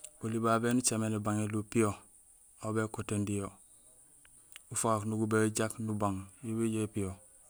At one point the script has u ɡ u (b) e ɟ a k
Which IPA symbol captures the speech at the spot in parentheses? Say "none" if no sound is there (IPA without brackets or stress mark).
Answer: b